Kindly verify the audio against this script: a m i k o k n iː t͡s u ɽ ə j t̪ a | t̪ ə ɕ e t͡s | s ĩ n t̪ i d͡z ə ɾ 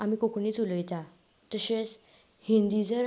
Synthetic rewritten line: a m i k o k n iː t͡s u l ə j t̪ a | t̪ ə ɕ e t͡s | h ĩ n d̪ i d͡z ə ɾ